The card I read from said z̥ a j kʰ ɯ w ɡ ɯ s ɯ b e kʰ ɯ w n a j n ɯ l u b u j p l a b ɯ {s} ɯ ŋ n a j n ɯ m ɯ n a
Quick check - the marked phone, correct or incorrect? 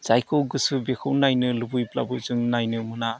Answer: incorrect: z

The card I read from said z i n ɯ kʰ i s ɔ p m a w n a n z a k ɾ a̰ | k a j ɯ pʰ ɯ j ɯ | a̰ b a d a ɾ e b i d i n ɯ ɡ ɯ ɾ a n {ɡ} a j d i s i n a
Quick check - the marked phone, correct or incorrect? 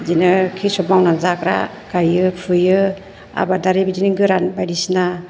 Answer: incorrect: b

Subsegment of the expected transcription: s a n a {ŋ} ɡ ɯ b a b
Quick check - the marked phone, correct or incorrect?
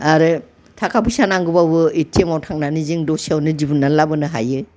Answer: correct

